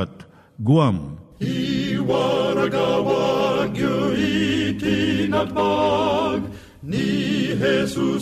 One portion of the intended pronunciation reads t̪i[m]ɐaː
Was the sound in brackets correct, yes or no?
no